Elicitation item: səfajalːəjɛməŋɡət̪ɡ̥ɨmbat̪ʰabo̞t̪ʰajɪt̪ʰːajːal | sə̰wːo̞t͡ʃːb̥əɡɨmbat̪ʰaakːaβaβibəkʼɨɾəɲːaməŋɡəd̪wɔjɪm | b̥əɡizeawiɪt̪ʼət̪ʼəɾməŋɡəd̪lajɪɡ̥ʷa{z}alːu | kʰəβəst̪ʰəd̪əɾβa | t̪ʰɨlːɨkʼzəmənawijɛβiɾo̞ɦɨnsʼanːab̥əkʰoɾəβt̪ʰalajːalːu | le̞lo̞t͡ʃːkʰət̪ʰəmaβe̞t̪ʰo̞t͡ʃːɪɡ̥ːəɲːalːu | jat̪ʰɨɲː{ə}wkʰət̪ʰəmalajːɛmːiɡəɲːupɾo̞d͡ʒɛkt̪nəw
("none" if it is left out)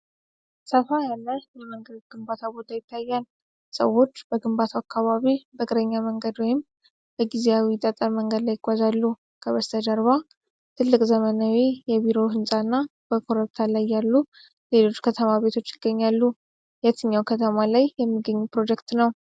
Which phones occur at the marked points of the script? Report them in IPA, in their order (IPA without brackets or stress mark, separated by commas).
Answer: z, a